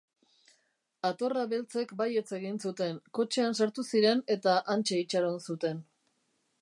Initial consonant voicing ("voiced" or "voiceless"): voiceless